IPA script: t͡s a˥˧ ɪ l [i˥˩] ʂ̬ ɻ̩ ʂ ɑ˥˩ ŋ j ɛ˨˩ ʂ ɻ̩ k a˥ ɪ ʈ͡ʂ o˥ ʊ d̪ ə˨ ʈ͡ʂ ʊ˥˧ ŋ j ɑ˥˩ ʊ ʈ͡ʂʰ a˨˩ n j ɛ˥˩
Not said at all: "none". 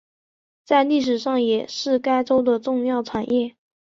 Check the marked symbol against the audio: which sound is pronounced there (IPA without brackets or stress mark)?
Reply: i˥˩